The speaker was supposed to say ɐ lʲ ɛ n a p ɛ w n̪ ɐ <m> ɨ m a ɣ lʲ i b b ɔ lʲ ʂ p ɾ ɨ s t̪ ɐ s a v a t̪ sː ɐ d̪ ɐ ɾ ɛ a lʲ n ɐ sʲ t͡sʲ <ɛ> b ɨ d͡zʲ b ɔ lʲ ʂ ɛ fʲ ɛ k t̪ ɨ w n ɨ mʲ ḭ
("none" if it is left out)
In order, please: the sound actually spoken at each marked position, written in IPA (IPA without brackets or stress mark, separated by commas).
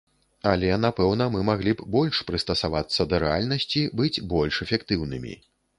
m, i